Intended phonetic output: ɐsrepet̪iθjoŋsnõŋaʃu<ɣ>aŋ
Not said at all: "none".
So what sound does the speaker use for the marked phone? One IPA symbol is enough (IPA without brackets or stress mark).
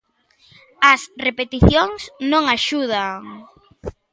ð